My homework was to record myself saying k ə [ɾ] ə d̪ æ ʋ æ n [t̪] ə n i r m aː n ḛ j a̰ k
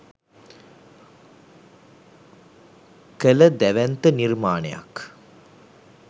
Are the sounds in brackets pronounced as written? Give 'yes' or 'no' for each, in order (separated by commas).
no, yes